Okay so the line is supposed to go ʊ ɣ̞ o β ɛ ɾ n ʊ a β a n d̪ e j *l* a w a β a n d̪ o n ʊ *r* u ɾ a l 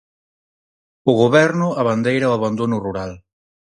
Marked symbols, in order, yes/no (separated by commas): no, yes